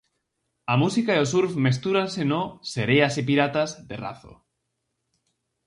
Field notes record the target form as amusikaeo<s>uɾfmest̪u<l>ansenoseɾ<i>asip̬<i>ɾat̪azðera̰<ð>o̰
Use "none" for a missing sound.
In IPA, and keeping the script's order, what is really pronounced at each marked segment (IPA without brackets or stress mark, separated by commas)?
s, ɾ, e, i, θ